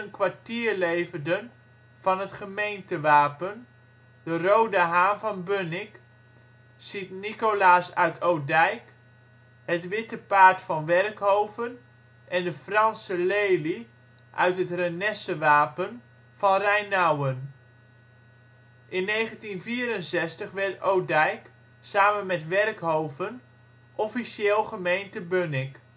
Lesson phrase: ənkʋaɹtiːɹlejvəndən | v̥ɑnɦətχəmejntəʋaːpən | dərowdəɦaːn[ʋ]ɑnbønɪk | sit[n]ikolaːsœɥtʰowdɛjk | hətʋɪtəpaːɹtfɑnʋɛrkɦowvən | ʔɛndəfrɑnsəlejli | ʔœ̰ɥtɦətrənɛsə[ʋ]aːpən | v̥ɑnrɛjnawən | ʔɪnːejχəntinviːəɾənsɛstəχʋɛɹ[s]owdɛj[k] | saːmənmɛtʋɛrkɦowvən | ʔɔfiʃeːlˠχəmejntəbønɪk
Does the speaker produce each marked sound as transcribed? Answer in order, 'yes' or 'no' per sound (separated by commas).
no, yes, yes, no, yes